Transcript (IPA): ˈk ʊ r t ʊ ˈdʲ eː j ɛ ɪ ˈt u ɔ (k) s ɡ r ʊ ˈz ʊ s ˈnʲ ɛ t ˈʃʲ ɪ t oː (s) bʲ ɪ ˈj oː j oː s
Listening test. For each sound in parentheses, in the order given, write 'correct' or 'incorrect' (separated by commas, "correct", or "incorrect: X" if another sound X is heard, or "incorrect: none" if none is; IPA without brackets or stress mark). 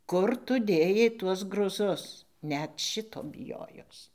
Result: incorrect: none, incorrect: none